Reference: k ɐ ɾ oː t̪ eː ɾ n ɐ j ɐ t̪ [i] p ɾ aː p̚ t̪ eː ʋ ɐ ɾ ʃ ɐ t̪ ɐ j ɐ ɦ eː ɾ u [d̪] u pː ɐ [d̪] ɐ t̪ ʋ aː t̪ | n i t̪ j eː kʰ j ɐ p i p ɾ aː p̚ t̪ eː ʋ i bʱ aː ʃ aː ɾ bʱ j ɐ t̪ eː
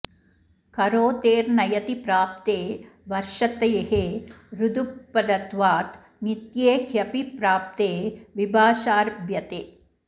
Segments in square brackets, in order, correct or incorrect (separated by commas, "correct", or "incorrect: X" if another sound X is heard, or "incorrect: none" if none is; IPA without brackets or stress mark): correct, correct, correct